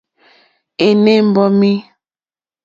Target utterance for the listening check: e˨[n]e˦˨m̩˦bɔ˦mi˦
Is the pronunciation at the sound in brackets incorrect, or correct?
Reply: correct